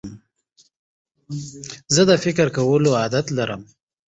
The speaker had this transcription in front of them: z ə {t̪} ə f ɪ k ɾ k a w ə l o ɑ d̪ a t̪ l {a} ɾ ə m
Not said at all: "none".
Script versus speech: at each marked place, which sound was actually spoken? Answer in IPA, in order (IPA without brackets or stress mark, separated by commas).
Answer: d̪, a